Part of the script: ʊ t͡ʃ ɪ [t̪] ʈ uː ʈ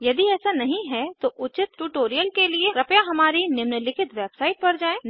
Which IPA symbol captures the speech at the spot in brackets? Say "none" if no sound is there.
t̪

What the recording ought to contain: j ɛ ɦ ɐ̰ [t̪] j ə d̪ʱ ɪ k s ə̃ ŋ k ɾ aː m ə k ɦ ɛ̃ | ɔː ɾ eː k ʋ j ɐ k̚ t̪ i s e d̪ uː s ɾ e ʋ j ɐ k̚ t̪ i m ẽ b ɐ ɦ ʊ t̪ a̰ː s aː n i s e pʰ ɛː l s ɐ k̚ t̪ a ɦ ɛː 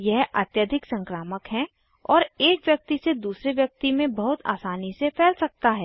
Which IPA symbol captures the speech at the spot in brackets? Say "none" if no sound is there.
t̪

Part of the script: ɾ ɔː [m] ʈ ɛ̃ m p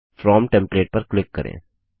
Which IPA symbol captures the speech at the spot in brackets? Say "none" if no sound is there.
m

